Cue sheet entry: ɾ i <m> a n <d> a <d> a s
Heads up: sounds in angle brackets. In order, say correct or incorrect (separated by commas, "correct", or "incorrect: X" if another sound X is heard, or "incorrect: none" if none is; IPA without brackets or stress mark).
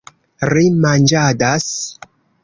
correct, incorrect: d͡ʒ, correct